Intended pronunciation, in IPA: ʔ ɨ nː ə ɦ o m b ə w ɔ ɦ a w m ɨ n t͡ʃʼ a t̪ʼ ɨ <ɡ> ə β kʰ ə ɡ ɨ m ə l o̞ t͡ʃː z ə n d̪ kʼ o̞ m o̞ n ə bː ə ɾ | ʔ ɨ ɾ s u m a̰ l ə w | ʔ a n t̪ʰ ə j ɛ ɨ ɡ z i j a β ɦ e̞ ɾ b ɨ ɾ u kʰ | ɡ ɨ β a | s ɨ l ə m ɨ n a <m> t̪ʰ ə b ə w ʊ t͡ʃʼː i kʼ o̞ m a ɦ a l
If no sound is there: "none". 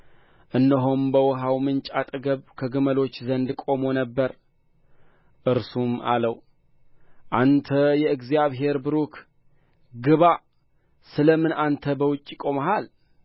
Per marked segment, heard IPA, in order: ɡ, n

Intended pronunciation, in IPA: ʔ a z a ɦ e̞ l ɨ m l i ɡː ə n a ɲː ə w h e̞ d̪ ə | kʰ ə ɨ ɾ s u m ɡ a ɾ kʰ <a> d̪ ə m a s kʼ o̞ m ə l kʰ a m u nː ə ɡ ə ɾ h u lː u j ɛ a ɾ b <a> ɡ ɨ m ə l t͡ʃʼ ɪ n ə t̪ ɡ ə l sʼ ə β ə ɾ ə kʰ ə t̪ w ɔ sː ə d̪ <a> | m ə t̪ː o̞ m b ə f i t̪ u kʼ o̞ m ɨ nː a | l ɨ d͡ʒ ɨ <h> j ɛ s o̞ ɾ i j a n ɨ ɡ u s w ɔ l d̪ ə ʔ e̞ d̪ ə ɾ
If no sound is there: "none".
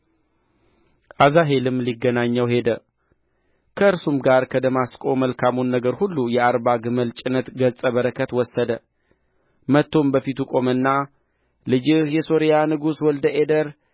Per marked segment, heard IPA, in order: ə, a, ə, h

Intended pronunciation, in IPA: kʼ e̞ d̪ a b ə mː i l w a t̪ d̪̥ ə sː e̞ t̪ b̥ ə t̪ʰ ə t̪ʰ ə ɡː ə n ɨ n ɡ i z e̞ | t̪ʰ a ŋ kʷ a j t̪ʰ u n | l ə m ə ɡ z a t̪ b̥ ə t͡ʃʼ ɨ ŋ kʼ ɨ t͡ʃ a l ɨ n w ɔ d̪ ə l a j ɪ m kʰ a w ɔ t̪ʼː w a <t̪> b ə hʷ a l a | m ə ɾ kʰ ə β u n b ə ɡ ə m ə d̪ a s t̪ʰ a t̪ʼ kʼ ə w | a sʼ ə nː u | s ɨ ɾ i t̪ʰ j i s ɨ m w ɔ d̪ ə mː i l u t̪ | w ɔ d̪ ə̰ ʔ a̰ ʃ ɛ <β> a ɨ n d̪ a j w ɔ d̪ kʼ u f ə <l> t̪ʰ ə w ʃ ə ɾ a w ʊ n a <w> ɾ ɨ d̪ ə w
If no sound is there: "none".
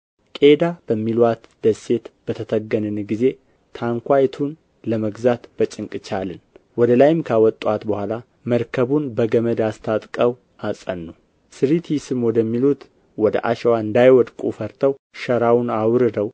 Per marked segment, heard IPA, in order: t̪, w, ɾ, w

